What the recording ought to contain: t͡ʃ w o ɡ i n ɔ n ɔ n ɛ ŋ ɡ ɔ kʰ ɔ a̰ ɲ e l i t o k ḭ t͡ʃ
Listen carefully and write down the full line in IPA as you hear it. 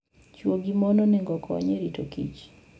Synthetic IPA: t͡ʃ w o ɡ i m ɔ n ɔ n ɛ ŋ ɡ ɔ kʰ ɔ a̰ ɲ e ɾ i t o k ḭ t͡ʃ